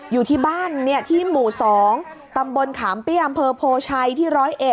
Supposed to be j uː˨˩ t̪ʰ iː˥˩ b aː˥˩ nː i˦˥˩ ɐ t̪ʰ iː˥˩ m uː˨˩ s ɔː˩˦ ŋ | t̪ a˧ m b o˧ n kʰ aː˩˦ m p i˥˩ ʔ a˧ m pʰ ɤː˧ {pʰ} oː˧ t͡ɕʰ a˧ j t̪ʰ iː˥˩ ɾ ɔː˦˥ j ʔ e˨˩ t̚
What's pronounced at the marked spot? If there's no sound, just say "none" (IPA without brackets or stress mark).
pʰ